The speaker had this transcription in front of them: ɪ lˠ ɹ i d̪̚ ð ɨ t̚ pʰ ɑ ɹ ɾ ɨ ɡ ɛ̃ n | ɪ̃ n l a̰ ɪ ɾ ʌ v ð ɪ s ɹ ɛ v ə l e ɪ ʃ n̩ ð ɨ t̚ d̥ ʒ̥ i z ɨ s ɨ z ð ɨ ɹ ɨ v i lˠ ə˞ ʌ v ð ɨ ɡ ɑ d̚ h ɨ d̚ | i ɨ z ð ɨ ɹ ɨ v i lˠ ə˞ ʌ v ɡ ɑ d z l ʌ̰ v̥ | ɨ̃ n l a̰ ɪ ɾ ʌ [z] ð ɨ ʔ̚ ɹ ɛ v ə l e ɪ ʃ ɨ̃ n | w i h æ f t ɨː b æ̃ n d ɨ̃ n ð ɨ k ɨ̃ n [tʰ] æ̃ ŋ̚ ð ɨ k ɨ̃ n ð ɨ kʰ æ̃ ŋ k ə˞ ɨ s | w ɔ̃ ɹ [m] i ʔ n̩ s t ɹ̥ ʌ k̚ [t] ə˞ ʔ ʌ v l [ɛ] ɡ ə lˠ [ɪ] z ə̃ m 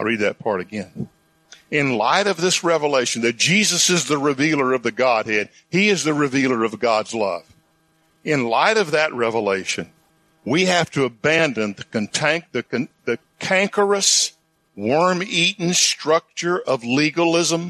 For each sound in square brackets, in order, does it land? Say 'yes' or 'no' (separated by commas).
no, yes, yes, no, no, yes